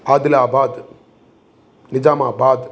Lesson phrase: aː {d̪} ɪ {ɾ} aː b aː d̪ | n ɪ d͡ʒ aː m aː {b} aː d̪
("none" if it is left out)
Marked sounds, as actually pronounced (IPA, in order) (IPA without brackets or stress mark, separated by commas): d̪, l, b